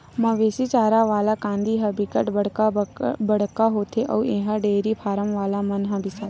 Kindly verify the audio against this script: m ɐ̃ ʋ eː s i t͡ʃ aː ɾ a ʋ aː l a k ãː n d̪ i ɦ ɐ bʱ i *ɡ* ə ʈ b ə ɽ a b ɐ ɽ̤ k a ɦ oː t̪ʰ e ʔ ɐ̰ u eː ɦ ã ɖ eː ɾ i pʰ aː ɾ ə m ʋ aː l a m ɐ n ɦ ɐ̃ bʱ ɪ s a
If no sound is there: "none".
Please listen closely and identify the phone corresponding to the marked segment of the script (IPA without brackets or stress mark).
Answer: k